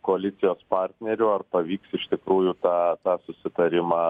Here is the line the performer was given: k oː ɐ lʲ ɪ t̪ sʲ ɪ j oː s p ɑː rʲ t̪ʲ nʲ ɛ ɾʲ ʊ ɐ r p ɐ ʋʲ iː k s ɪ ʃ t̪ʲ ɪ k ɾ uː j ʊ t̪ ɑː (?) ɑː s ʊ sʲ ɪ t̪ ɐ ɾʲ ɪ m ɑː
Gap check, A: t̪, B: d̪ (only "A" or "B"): A